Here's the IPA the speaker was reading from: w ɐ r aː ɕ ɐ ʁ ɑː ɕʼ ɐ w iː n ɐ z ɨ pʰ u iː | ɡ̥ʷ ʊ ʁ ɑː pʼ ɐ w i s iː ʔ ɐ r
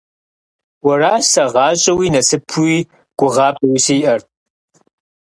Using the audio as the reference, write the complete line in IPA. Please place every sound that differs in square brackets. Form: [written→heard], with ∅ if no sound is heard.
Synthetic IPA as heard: w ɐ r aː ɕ ɐ ʁ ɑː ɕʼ ɐ w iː n ɐ [z→s] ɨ pʰ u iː | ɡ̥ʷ ʊ ʁ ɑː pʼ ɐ w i s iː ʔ ɐ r